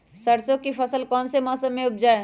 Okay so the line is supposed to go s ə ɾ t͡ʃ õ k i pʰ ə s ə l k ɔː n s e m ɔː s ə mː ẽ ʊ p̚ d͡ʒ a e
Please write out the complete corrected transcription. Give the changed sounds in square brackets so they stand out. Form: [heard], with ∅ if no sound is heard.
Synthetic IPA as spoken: s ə ɾ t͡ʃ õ k i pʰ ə s ə l k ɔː n s e m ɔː s ə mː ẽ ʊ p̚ d͡ʒ a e

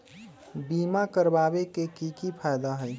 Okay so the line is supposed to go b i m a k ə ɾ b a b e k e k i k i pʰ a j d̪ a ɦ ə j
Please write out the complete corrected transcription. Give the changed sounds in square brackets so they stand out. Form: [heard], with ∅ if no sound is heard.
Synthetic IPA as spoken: b i m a k ə ɾ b a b e k e k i k i pʰ a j d̪ a ɦ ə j

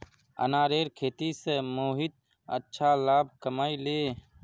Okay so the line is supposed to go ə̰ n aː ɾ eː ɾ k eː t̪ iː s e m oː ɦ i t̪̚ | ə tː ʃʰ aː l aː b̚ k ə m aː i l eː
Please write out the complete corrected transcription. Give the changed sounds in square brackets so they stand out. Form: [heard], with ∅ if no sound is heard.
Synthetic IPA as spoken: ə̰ n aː ɾ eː ɾ [kʰ] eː t̪ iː s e m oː ɦ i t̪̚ | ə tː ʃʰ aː l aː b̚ k ə m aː i l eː

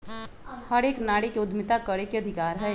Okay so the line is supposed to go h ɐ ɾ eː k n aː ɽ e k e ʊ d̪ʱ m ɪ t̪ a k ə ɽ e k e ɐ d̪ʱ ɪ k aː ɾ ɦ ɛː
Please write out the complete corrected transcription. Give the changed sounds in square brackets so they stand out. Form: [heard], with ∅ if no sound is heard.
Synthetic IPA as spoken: h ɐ ɾ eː k n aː ɽ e k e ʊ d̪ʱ m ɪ t̪ a k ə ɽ e k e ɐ d̪ʱ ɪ k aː ɾ ɦ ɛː

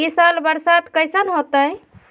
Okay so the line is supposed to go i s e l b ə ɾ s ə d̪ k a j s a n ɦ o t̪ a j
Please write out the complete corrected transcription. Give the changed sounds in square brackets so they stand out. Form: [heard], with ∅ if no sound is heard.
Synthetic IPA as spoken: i s [a] l b ə ɾ s [a] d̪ k [ə] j s [ə] n ɦ o t̪ [ə] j

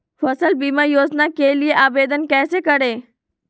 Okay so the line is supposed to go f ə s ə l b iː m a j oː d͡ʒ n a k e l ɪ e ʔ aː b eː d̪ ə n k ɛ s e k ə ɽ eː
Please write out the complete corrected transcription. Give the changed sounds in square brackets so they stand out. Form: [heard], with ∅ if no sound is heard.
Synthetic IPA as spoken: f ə s ə l b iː m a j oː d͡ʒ n a k e l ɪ e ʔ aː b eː d̪ ə n k [ɛː] s e k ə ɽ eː

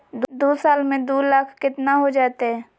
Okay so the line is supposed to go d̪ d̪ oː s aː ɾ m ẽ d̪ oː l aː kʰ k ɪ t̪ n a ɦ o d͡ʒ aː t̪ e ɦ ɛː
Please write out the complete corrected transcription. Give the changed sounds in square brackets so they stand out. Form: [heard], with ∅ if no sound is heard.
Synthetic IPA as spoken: d̪ d̪ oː s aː [l] m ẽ d̪ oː l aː kʰ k ɪ t̪ n a ɦ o d͡ʒ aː t̪ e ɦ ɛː

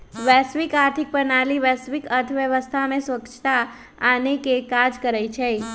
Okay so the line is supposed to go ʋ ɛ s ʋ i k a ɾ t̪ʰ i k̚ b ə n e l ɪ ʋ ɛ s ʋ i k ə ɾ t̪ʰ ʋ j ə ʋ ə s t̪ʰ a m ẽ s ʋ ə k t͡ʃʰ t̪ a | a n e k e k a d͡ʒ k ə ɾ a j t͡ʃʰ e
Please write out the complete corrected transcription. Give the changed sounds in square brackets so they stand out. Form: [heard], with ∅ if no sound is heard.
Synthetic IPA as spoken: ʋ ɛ s ʋ i k a ɾ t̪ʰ i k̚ [p] ə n [a] l [i] ʋ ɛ s ʋ i k ə ɾ t̪ʰ ʋ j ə ʋ ə s t̪ʰ a m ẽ s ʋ ə k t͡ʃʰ t̪ a | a n e k e k a d͡ʒ k ə ɾ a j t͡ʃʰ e

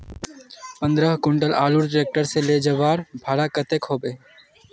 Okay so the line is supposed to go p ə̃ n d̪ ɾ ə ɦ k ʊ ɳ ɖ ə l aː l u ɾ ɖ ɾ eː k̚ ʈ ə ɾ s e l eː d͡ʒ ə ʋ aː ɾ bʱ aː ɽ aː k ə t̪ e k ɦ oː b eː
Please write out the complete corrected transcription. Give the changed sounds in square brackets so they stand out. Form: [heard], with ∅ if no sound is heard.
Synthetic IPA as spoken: p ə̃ n d̪ ɾ ə ɦ k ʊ ɳ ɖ ə l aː l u ɾ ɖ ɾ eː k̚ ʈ ə ɾ s e l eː d͡ʒ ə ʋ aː ɾ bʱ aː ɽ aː k ə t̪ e k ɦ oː b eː

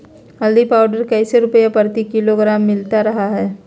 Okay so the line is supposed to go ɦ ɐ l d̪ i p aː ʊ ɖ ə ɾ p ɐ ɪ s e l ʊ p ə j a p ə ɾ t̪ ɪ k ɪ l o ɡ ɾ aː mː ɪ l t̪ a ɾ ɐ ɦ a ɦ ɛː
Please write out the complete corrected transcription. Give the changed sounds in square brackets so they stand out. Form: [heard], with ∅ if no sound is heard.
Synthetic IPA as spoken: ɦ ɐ l d̪ i p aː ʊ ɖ ə ɾ [k] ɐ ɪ s e [ɾ] ʊ p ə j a p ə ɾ t̪ [i] k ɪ l o ɡ ɾ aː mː ɪ l t̪ a ɾ ɐ ɦ a ɦ ɛː

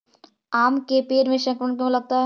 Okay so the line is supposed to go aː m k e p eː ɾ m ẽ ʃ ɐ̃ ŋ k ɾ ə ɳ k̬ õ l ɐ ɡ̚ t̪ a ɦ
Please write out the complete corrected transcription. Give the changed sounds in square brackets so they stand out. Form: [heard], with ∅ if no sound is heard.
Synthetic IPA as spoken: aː m k e p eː ɾ m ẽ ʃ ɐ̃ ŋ k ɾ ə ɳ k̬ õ l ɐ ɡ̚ t̪ a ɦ

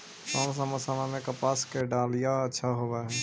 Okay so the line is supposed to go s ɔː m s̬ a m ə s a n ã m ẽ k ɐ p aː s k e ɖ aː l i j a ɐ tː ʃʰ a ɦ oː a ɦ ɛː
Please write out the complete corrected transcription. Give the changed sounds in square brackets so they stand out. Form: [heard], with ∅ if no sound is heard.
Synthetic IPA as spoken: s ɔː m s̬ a m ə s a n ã m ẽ k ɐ p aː s k e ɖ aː l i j a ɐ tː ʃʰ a ɦ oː a ɦ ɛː

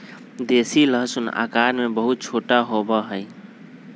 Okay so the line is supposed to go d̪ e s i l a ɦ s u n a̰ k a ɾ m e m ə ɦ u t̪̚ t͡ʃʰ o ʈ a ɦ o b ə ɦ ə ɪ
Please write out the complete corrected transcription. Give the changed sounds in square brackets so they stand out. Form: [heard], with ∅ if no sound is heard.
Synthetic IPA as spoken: d̪ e s i l [ə] ɦ s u n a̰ k a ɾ m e [b] ə ɦ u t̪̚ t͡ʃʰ o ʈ a ɦ o b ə ɦ ə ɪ

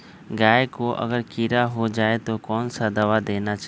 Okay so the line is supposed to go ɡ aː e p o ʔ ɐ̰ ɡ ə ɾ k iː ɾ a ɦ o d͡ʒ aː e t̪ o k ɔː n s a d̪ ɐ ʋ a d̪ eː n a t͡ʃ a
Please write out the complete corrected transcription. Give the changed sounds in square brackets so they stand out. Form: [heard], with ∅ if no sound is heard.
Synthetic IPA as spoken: ɡ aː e [k] o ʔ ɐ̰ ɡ ə ɾ k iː ɾ a ɦ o d͡ʒ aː e t̪ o k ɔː n s a d̪ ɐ ʋ a d̪ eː n a t͡ʃ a

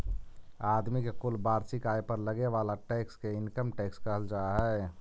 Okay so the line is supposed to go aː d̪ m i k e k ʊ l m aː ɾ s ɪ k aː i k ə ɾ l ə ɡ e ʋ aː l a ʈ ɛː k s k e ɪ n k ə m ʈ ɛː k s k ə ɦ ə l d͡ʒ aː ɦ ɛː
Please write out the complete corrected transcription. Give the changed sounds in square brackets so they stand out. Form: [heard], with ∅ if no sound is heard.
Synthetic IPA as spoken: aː d̪ m i k e k ʊ l [b] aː ɾ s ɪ k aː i [p] ə ɾ l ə ɡ e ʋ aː l a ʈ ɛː k s k e ɪ n k ə m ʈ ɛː k s k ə ɦ ə l d͡ʒ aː ɦ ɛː

